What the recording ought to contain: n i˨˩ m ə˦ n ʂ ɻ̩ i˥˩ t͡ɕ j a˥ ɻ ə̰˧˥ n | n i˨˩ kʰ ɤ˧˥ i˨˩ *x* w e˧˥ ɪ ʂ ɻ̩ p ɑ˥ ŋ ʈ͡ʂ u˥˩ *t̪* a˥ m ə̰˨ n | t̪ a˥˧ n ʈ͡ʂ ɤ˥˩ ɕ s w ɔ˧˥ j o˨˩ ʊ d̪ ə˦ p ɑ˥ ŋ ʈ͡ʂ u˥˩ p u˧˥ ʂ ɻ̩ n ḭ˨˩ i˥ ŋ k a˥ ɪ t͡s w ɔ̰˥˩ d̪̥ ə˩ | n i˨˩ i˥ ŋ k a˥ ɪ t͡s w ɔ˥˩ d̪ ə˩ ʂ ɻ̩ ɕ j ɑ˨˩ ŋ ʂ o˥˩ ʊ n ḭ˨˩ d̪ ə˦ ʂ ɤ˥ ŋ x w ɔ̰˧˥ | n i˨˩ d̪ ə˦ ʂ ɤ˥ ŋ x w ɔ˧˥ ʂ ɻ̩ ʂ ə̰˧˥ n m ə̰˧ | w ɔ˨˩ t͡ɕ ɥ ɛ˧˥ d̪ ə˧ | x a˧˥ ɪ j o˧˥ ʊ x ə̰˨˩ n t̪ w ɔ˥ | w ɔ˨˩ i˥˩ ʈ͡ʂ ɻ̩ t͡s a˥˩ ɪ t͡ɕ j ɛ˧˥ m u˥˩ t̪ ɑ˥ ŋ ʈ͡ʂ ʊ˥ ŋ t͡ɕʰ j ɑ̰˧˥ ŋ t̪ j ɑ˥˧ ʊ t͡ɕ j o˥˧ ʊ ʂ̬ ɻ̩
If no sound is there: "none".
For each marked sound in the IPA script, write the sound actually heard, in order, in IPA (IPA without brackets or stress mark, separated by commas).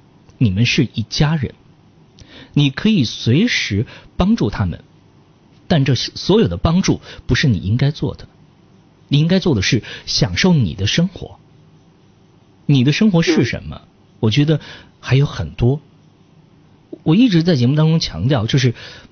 s, t̪ʰ